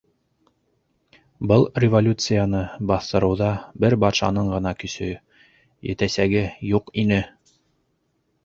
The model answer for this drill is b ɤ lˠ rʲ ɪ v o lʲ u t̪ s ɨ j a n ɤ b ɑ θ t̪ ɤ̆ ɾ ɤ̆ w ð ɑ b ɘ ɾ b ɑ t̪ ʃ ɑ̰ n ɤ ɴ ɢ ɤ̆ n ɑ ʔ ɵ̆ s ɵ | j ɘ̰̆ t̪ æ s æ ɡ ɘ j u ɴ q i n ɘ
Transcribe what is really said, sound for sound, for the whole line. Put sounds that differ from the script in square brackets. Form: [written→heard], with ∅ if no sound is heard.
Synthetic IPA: b ɤ lˠ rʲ ɪ v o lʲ u t̪ s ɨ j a n ɤ b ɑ θ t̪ ɤ̆ ɾ ɤ̆ w ð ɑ b ɘ ɾ b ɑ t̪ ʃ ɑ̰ n ɤ ɴ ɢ ɤ̆ n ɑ [ʔ→k] ɵ̆ s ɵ | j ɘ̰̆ t̪ æ s æ ɡ ɘ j u [ɴ→∅] q i n ɘ